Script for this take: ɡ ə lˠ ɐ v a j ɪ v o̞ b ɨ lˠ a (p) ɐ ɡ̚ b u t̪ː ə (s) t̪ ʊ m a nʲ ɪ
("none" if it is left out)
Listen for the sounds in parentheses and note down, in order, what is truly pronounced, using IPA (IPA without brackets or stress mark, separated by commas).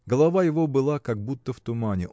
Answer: k, f